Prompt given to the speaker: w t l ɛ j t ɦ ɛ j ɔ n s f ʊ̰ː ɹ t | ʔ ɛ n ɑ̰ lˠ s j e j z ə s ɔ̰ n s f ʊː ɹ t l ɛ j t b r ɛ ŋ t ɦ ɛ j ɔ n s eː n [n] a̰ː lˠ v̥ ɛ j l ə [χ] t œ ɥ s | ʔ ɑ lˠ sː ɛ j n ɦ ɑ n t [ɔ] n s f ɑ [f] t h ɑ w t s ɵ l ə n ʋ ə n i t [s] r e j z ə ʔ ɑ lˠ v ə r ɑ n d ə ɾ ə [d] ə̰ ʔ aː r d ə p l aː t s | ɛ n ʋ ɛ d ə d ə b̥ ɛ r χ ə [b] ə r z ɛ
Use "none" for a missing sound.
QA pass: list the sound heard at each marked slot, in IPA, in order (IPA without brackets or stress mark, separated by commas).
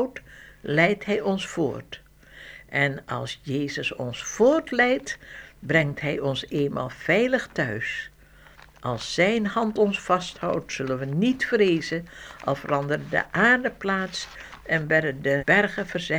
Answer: m, χ, ɔ, s, f, d, v